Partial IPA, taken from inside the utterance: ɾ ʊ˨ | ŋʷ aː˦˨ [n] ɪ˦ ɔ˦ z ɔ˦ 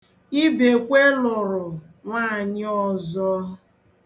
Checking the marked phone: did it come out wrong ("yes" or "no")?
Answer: yes